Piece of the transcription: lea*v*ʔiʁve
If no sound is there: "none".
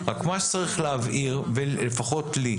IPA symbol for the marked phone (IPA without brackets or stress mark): v